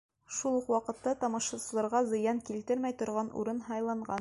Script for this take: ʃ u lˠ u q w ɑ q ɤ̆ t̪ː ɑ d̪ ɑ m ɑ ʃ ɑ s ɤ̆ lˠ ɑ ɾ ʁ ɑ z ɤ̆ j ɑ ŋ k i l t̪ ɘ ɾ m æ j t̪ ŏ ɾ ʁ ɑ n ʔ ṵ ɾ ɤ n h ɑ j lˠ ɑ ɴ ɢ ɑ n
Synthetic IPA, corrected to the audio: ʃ u lˠ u q w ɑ q ɤ̆ t̪ː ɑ t̪ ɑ m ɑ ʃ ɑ s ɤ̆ lˠ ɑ ɾ ʁ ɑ z ɤ̆ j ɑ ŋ k i l t̪ ɘ ɾ m æ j t̪ ŏ ɾ ʁ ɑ n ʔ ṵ ɾ ɤ n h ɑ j lˠ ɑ ɴ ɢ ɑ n